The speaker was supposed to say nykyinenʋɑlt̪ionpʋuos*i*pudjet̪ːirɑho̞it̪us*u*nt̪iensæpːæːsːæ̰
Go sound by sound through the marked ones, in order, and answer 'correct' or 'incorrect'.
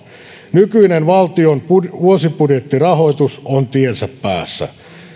correct, incorrect: o

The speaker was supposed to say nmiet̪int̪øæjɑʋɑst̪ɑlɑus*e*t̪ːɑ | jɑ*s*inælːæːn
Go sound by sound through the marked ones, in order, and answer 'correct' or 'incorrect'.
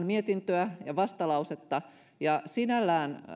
correct, correct

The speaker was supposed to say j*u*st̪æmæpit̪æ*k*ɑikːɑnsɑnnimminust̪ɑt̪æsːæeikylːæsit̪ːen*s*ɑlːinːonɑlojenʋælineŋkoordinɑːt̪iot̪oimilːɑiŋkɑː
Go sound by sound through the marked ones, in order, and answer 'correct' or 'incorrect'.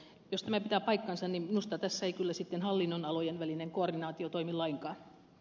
incorrect: o, incorrect: p, incorrect: h

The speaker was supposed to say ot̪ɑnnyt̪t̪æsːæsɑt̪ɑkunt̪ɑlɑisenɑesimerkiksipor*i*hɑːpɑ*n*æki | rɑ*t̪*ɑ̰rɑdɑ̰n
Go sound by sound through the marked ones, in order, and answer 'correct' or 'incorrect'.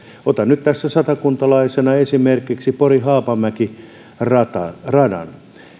correct, incorrect: m, correct

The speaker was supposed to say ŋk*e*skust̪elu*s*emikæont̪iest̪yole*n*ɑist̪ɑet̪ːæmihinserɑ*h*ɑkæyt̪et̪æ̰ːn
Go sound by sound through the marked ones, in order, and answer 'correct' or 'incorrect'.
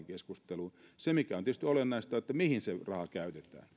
correct, correct, incorrect: nː, correct

